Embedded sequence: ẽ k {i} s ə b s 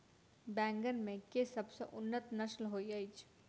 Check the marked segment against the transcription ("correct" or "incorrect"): incorrect